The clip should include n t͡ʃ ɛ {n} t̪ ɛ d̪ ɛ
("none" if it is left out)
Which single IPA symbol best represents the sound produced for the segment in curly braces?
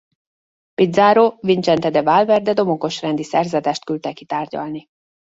n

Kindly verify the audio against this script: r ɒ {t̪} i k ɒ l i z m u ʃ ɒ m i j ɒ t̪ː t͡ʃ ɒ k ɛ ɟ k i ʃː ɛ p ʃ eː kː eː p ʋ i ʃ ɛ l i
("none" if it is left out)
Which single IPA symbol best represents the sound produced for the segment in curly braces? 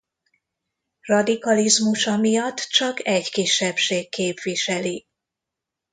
d̪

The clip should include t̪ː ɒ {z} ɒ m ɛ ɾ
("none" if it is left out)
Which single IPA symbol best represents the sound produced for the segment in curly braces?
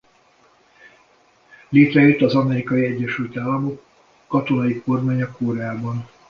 z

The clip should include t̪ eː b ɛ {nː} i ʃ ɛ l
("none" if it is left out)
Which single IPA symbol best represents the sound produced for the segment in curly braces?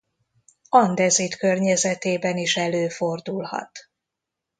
n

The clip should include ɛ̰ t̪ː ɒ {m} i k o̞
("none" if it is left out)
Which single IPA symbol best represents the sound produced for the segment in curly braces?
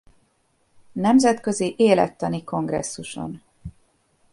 n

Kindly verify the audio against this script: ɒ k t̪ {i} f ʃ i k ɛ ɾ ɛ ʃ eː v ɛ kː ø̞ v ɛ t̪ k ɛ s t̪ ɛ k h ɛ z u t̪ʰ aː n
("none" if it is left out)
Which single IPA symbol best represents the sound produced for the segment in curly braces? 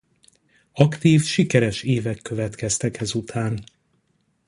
iː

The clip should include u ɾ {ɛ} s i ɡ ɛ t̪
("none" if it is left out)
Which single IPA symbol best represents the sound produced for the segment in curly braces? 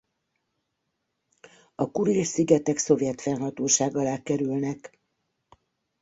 i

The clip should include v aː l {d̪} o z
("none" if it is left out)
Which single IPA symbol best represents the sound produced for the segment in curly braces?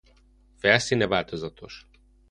t̪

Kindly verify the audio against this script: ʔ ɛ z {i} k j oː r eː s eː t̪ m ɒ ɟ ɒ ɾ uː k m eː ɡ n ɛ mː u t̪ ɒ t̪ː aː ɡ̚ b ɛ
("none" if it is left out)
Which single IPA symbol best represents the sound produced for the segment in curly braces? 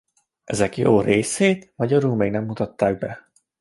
ɛ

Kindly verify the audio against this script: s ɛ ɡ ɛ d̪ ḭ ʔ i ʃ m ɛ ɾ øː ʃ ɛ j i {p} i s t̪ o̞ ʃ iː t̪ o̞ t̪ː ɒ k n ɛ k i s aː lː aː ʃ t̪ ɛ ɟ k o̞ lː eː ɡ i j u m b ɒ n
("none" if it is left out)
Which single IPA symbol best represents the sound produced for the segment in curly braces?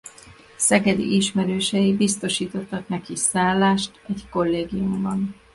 b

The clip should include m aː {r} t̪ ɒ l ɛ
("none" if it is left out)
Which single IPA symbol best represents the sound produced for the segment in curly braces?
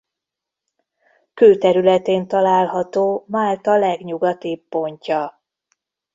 l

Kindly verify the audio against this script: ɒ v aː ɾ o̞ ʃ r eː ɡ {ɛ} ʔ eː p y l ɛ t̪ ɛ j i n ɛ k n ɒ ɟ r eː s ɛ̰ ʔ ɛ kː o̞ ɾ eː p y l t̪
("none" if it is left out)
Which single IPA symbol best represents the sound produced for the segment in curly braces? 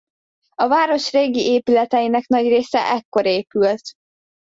i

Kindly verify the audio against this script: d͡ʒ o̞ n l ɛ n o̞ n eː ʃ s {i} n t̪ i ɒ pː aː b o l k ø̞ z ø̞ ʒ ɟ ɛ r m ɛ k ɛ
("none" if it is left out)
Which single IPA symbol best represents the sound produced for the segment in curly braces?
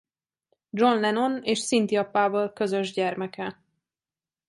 i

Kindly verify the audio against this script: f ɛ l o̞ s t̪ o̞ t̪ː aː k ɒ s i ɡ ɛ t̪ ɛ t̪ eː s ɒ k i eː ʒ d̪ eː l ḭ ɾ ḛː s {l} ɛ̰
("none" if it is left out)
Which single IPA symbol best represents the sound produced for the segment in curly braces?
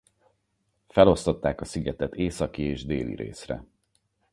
r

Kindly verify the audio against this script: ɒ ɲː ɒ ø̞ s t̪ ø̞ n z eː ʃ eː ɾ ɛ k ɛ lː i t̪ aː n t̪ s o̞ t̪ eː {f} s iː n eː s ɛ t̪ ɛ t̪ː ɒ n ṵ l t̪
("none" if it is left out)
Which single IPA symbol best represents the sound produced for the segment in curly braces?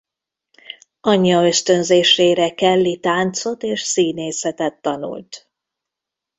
ʃ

